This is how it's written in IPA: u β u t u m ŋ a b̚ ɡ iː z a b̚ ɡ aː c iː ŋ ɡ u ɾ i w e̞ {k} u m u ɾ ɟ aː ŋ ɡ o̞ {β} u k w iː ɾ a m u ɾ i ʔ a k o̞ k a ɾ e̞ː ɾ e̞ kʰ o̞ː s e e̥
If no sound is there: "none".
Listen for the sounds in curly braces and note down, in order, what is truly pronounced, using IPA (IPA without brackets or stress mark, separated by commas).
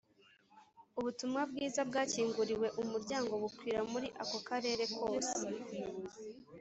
ʔ, β